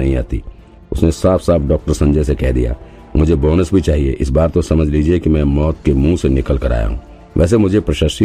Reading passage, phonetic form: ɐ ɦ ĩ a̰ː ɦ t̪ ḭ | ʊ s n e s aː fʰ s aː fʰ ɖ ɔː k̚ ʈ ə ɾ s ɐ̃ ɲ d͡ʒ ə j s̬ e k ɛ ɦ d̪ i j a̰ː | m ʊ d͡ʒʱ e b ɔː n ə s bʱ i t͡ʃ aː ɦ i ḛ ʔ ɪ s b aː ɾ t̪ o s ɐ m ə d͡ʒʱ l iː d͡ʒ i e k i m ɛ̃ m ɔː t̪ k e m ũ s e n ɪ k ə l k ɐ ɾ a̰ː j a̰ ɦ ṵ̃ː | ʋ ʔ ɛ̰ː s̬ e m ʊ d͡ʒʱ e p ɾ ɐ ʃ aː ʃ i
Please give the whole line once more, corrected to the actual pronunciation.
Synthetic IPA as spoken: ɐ ɦ ĩ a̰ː t̪ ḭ | ʊ s n e s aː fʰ s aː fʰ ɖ ɔː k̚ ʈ ə ɾ s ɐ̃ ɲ d͡ʒ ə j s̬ e k ɛ ɦ d̪ i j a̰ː | m ʊ d͡ʒʱ e b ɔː n ə s bʱ i t͡ʃ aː ɦ i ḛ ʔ ɪ s b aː ɾ t̪ o s ɐ m ə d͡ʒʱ l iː d͡ʒ i e k i m ɛ̃ m ɔː t̪ k e m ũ s e n ɪ k ə l k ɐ ɾ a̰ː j a̰ ɦ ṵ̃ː | ʋ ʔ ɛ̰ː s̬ e m ʊ d͡ʒʱ e p ɾ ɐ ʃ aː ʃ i